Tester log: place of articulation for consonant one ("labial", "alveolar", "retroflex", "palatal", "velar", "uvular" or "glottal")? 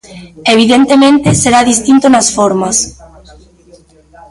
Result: labial